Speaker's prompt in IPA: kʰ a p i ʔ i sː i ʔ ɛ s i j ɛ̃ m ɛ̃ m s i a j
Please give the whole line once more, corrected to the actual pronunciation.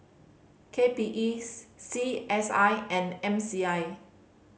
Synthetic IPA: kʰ e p i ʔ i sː i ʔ ɛ s a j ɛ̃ n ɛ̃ m s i a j